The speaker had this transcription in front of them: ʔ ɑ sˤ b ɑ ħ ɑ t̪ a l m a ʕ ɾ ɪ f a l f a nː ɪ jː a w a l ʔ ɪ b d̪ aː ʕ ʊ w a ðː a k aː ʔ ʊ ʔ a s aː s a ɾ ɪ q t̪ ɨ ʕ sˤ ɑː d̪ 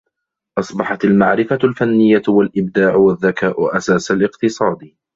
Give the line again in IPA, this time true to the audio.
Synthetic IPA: ʔ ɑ sˤ b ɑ ħ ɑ t̪ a l m a ʕ ɾ ɪ f a l f a nː ɪ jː a w a l ʔ ɪ b d̪ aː ʕ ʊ w a ðː a k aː ʔ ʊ ʔ a s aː s a l ɪ q t̪ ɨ sˤ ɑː d̪